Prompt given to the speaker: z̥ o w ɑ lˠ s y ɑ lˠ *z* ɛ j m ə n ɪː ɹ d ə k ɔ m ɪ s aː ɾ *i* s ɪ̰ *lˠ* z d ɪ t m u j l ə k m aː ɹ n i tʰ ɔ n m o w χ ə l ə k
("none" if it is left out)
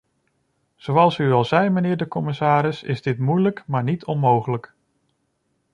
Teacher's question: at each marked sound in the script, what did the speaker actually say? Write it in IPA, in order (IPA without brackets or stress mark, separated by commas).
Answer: z, ɪ, none